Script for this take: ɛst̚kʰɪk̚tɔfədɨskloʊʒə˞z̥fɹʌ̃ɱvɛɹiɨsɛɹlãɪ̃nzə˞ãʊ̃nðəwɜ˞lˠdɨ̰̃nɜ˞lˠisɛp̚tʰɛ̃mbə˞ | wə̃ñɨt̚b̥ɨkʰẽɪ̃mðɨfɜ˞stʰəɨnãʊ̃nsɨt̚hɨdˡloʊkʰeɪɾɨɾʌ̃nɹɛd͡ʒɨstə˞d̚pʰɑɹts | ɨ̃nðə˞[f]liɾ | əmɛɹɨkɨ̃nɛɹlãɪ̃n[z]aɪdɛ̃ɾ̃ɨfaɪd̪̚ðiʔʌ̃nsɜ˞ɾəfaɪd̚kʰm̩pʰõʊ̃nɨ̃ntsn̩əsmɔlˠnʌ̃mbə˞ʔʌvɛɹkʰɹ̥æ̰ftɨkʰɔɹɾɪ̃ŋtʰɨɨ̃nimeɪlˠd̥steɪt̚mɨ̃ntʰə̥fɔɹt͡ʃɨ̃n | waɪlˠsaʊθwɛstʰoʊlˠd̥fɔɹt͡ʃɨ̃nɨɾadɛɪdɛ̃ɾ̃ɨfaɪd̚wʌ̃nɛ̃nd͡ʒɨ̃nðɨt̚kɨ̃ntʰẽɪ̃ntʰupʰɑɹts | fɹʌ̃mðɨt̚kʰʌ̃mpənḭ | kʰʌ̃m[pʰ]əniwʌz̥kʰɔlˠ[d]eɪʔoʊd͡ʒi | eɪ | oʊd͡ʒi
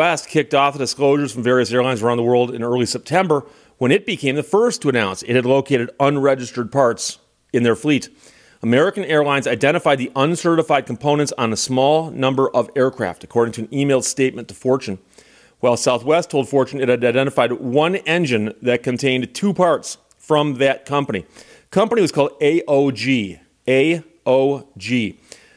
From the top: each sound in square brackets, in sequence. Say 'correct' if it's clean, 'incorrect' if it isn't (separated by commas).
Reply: correct, correct, incorrect, correct